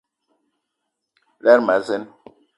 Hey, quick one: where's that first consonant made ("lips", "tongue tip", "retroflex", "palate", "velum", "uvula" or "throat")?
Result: tongue tip